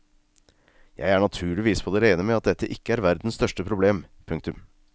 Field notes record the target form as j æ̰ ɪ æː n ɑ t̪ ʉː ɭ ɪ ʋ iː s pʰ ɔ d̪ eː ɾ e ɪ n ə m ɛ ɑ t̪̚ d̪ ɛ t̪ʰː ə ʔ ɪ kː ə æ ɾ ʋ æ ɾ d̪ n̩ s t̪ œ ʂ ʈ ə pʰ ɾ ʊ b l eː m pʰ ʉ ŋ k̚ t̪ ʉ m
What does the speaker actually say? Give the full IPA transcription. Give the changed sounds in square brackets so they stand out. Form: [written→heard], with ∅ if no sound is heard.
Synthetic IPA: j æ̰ ɪ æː [n→ɳ] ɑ [t̪→t̪ʰ] ʉː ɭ ɪ ʋ iː s pʰ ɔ d̪ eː ɾ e ɪ n ə m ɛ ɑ t̪̚ d̪ ɛ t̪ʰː ə ʔ ɪ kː ə æ ɾ ʋ æ ɾ d̪ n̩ s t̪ œ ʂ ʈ ə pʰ ɾ ʊ b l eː m pʰ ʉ ŋ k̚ t̪ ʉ m